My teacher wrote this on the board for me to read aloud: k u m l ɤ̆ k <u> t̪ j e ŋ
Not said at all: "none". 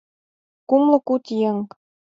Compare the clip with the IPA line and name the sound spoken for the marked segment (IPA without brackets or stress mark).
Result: u